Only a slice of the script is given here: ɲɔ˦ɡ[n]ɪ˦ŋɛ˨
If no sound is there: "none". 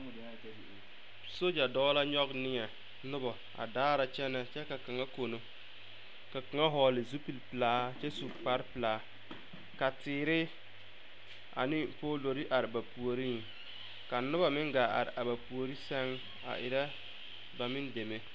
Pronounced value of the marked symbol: n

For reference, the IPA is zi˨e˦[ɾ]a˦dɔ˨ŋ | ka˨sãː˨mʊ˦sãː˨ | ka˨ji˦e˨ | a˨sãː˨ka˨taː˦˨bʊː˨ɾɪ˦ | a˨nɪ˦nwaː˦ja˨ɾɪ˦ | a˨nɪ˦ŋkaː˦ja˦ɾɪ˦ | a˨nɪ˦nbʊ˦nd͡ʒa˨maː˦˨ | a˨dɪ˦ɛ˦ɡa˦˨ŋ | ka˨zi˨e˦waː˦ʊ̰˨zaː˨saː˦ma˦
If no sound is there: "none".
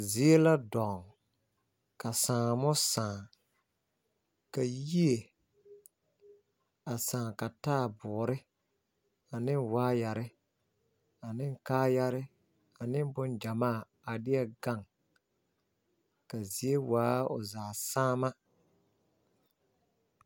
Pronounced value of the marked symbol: l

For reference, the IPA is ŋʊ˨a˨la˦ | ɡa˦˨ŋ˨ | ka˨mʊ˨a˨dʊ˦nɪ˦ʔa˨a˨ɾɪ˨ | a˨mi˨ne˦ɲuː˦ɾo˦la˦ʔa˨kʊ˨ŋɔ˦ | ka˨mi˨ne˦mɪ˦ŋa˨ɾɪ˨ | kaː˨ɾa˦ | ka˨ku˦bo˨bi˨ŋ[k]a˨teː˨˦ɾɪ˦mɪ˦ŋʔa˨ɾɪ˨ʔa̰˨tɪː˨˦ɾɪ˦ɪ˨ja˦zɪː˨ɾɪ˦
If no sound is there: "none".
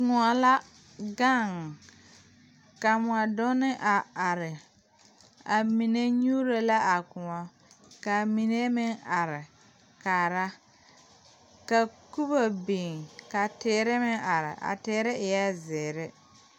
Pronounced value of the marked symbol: k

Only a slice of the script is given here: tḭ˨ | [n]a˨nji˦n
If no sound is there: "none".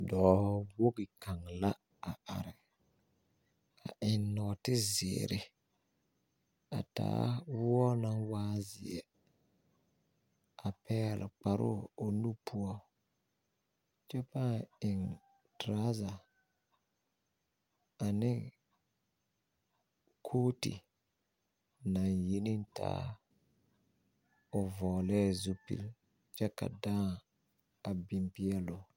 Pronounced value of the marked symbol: n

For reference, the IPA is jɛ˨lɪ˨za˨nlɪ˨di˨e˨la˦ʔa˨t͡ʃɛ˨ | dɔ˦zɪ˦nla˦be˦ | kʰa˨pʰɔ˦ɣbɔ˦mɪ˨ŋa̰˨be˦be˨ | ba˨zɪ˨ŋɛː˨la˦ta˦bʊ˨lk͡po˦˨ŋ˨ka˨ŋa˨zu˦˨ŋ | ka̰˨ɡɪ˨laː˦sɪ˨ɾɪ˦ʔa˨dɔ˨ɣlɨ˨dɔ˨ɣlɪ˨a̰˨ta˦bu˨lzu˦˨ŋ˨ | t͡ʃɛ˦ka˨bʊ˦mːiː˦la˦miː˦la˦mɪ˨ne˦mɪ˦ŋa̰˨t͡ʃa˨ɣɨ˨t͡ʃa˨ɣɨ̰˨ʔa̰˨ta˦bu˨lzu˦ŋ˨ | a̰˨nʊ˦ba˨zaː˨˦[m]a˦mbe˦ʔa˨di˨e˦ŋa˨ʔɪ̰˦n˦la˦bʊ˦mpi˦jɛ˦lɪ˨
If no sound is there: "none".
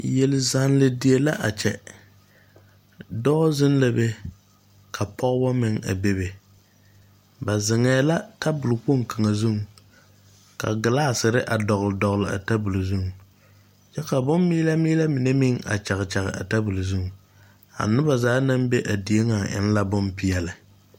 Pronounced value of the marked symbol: n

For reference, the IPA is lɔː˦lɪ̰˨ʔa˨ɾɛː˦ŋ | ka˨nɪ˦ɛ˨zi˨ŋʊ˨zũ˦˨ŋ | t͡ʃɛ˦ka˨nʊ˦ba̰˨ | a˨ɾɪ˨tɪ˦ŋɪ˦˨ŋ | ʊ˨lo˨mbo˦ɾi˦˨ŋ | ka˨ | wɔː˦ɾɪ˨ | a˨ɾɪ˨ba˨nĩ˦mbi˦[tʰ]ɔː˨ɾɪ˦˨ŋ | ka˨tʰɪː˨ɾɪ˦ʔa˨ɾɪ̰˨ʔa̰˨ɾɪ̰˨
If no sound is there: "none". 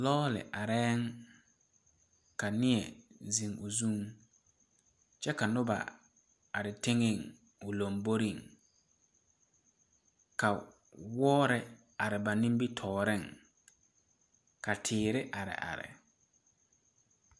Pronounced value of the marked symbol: tʰ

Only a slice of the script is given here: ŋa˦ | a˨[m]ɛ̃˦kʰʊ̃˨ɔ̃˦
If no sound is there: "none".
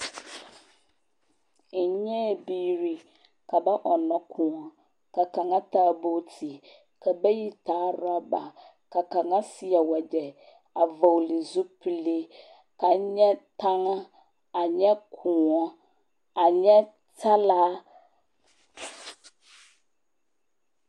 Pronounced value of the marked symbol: ɲ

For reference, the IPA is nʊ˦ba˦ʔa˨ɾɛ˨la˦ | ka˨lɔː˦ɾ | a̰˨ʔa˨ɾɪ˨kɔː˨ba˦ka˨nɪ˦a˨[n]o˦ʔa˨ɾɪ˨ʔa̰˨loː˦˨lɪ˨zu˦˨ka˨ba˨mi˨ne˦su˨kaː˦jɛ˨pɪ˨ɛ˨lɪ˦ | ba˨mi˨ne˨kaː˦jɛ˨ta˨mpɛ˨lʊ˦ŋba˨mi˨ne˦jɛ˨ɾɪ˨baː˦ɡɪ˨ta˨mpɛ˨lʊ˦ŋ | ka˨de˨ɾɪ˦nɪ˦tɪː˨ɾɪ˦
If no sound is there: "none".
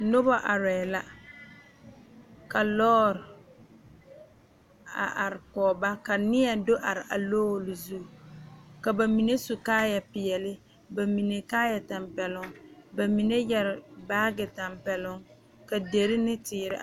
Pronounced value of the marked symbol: d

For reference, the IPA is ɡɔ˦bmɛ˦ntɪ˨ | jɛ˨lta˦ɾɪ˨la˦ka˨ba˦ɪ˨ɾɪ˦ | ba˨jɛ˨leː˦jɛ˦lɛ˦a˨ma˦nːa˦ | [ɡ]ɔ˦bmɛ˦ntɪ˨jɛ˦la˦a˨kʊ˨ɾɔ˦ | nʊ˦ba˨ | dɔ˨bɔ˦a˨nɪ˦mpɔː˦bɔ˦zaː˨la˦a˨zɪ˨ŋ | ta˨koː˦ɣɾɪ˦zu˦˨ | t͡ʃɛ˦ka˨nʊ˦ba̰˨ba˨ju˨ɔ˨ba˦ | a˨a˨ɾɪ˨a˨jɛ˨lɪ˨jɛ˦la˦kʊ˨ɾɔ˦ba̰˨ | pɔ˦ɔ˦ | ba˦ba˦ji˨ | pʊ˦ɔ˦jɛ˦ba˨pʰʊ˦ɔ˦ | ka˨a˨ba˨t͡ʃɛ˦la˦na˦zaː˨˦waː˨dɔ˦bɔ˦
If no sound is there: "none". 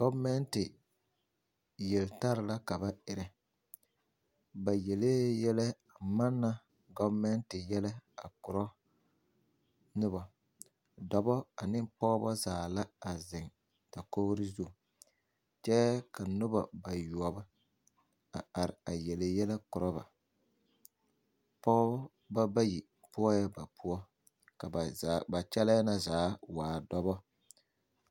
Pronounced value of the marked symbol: ɡ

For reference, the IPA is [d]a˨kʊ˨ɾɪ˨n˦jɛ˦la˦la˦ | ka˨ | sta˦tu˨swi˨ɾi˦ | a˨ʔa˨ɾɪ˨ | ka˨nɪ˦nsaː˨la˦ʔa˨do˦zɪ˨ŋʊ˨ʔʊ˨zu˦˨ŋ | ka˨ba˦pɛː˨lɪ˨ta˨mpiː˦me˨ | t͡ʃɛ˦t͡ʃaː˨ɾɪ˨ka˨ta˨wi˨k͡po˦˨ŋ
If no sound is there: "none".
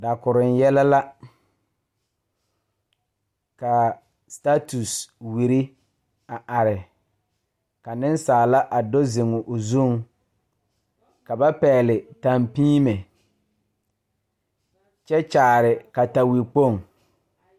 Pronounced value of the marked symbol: d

